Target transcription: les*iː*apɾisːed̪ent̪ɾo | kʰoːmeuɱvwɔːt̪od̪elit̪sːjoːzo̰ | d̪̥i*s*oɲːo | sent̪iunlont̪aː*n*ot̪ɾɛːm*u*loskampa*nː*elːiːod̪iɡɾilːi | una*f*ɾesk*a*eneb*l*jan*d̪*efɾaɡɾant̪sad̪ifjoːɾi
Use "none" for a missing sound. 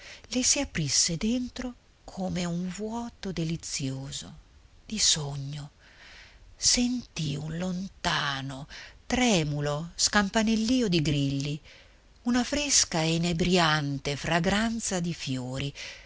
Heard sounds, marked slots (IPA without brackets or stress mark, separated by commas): i, s, n, u, n, f, a, ɾ, t̪